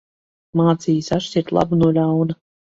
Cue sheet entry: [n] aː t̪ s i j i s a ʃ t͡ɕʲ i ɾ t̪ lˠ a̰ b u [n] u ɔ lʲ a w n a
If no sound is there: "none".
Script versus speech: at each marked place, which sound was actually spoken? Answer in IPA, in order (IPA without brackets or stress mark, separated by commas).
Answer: m, n